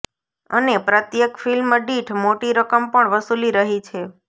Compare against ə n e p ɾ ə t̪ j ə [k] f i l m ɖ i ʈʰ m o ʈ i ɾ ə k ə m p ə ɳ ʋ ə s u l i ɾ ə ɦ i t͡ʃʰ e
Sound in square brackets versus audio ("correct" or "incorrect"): correct